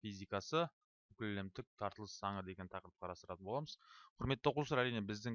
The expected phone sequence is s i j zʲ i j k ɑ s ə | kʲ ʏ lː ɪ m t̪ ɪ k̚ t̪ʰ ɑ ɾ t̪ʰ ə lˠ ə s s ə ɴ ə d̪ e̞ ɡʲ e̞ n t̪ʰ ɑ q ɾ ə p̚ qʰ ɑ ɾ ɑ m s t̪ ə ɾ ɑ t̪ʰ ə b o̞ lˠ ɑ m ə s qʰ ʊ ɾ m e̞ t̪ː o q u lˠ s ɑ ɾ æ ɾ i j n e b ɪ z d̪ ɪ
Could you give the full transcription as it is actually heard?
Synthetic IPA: f i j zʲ i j k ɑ s ə | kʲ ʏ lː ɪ m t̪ ɪ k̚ t̪ʰ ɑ ɾ t̪ ə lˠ ə s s ɑ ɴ ə d̪ e̞ ɡʲ e̞ n t̪ʰ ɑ q ɾ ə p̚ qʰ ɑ ɾ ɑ s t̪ ə ɾ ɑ t̪ ə b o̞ lˠ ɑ m ə z qʰ ʊ ɾ m e̞ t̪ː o q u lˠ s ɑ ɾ æ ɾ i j n e b ɪ z d̪ ɪ